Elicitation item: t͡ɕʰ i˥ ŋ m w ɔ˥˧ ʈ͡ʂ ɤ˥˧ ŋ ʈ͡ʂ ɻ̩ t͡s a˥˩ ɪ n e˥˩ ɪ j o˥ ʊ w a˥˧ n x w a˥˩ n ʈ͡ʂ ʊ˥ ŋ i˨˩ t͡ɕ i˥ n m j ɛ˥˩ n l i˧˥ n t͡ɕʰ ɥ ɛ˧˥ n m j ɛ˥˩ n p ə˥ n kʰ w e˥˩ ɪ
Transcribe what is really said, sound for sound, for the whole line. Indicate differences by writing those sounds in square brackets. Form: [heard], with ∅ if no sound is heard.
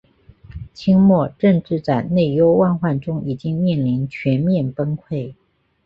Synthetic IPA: t͡ɕʰ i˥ ŋ m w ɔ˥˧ ʈ͡ʂ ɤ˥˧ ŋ ʈ͡ʂ ɻ̩ t͡s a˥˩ ɪ n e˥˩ ɪ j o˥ ʊ w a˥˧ n x w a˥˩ n ʈ͡ʂ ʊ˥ ŋ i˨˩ t͡ɕ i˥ [ŋ] m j ɛ˥˩ n l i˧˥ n t͡ɕʰ ɥ ɛ˧˥ n m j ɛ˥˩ n p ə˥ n kʰ w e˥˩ ɪ